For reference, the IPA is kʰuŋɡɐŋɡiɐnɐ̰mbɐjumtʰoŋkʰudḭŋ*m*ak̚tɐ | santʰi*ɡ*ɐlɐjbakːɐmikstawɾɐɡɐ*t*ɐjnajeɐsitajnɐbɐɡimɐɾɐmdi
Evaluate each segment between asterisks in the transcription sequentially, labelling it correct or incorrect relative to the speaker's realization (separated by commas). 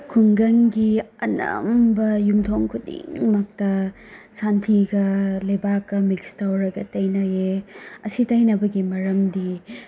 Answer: correct, correct, correct